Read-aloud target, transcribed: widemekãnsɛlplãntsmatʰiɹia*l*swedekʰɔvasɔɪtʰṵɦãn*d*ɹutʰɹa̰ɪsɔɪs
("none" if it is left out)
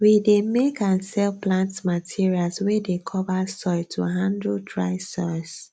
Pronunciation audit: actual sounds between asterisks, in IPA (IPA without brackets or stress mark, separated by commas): l, d